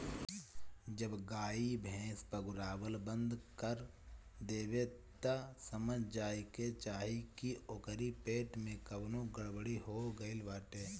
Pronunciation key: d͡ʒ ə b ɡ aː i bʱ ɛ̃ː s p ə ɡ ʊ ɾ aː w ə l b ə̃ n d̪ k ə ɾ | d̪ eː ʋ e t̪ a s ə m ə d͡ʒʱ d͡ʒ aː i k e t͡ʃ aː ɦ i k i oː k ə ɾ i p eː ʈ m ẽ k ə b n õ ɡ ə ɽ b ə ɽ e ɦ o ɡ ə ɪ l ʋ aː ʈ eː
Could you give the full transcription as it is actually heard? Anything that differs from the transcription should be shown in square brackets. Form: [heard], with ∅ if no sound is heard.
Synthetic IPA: d͡ʒ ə b ɡ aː i bʱ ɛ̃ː s p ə ɡ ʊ ɾ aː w ə l b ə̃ n d̪ k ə ɾ | d̪ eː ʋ e t̪ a s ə m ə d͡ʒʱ d͡ʒ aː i k e t͡ʃ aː ɦ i k i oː k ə ɾ i p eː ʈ m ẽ k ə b n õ ɡ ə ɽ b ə ɽ [i] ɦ o ɡ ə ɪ l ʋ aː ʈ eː